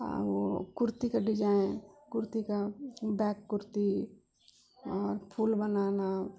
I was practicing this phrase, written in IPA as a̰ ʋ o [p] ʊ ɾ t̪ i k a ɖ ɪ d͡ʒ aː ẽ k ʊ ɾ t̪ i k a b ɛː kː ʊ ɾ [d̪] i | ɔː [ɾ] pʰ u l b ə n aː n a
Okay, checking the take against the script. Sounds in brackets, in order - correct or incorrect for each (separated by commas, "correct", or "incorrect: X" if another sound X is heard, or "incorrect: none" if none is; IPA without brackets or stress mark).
incorrect: k, incorrect: t̪, correct